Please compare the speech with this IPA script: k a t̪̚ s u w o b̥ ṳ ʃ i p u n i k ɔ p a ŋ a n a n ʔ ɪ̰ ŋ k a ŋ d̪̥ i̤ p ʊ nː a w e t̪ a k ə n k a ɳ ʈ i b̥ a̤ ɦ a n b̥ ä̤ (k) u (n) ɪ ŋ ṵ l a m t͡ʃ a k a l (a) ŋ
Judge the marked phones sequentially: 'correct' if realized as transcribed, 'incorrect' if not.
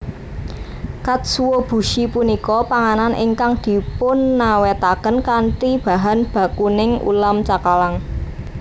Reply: correct, correct, correct

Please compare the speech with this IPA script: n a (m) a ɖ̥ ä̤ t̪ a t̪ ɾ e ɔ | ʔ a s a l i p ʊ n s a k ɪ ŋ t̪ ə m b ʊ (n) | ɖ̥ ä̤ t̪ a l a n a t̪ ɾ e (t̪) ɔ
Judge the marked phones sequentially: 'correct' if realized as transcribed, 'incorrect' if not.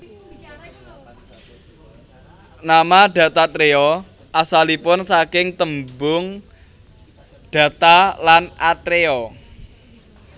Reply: correct, incorrect: ŋ, incorrect: none

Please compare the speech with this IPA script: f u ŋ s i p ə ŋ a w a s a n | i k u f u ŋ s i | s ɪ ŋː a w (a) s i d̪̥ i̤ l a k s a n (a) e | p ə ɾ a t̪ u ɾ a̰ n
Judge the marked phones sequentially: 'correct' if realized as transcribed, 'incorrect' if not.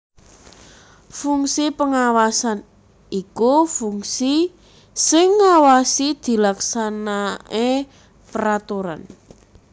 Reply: correct, correct

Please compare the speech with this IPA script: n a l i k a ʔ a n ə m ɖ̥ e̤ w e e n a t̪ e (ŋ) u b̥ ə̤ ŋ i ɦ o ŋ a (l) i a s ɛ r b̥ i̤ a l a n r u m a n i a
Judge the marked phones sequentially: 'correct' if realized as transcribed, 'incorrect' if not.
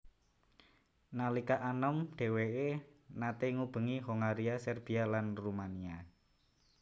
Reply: correct, incorrect: ɾ

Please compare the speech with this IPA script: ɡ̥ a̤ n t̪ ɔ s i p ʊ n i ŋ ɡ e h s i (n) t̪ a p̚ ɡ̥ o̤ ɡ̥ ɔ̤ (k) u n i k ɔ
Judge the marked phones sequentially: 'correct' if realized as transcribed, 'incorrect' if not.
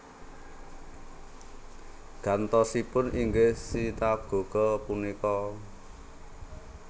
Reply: incorrect: none, incorrect: p

